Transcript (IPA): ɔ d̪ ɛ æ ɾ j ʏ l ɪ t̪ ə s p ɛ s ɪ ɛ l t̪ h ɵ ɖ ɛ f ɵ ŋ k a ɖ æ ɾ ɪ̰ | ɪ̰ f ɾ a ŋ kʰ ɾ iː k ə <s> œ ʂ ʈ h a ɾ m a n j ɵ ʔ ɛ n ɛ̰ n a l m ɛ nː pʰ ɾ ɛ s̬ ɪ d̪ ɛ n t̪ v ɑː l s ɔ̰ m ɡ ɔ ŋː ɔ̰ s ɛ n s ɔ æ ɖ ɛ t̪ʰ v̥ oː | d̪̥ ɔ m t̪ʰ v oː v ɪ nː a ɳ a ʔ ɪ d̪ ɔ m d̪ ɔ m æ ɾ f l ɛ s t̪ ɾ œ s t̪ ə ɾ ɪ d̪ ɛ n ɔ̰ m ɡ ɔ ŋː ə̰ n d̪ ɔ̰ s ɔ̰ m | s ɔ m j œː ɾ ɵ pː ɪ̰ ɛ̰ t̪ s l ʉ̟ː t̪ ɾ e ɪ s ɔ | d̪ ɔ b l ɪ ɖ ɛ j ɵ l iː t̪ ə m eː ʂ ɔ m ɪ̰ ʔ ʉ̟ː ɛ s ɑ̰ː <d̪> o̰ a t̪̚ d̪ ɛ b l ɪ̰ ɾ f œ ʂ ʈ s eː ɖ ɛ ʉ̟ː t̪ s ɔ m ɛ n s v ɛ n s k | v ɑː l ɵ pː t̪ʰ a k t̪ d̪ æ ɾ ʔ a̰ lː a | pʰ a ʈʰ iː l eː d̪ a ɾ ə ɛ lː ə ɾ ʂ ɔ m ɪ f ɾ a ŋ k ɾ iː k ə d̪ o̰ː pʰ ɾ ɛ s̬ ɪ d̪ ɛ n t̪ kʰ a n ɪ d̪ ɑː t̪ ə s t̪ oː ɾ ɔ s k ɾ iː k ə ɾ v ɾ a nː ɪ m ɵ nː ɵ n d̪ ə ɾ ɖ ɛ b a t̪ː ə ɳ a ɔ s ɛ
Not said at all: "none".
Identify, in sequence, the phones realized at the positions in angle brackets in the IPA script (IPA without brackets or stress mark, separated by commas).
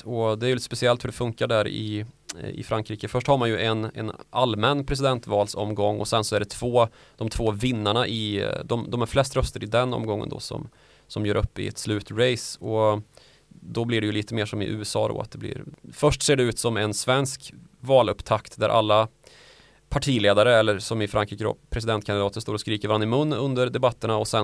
f, d̪